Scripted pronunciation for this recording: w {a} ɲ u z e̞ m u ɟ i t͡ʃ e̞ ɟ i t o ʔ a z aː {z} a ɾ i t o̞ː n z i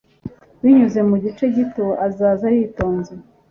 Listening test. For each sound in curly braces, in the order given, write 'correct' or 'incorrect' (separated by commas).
incorrect, correct